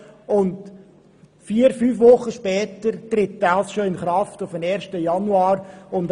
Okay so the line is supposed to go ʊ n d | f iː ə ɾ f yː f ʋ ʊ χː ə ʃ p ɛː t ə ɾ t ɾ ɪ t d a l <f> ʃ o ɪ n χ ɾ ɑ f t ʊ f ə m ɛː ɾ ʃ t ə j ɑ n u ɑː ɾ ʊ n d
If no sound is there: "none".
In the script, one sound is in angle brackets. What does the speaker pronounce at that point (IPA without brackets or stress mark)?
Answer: s